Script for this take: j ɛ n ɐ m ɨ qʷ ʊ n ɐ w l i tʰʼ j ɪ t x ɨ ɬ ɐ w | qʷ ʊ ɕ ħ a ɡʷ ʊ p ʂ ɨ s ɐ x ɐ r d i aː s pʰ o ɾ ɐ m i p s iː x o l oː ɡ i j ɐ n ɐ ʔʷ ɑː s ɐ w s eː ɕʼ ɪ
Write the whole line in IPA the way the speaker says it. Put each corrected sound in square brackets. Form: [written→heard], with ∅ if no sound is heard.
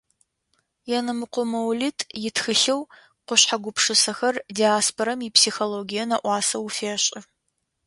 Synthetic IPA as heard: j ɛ n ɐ m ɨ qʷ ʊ [n→m] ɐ w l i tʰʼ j ɪ t x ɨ ɬ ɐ w | qʷ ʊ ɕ ħ a ɡʷ ʊ p ʂ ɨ s ɐ x ɐ r d i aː s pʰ o ɾ ɐ m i p s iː x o l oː ɡ i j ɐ n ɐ ʔʷ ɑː s ɐ w [s→f] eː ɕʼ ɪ